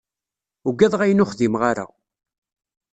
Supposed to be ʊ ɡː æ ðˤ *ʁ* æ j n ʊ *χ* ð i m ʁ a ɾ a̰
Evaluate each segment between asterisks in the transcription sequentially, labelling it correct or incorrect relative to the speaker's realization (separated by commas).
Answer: correct, correct